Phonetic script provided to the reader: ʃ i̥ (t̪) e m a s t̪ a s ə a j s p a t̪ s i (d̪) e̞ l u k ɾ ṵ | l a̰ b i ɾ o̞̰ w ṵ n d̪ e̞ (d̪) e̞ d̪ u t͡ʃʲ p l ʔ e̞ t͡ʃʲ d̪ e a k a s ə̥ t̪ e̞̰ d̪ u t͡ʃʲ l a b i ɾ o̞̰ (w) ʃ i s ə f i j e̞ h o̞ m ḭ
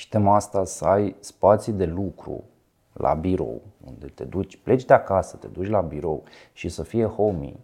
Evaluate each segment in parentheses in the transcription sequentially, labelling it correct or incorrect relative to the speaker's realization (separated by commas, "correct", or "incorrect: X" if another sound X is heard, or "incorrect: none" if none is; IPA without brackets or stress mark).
correct, correct, incorrect: t̪, correct